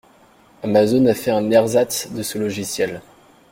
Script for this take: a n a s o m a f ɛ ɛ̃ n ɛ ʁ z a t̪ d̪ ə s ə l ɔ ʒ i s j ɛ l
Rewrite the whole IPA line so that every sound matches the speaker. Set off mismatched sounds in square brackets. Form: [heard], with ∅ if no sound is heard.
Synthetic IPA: a [m] a [z] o [n] a f ɛ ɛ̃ n ɛ ʁ z a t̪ d̪ ə s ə l ɔ ʒ i s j ɛ l